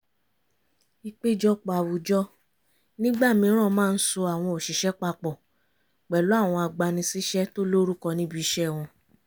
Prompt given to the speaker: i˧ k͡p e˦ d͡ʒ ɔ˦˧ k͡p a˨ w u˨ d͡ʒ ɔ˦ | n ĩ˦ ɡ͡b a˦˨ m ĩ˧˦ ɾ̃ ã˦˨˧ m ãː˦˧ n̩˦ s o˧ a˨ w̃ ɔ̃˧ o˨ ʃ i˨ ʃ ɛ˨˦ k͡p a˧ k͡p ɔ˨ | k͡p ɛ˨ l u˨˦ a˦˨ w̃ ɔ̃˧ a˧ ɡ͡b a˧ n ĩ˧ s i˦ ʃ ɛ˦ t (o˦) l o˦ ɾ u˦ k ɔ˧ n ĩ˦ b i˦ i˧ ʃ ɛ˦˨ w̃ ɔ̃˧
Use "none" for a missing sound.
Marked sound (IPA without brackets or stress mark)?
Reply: o˦